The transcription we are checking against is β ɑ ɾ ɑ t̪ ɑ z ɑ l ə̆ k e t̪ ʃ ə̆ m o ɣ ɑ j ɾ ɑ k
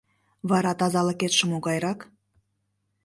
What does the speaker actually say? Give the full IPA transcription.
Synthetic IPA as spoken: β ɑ ɾ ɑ t̪ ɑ z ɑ l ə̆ k e t̪ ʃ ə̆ m o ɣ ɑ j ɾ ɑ k